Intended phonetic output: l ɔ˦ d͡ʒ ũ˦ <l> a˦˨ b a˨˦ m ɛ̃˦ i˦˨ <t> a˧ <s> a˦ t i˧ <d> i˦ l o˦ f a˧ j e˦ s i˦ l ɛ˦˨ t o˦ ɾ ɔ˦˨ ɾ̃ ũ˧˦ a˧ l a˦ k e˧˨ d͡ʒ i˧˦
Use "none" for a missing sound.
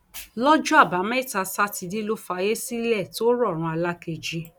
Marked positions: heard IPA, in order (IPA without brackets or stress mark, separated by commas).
none, t, s, d